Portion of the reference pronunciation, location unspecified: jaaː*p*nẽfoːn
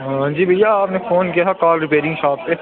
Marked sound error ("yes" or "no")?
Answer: no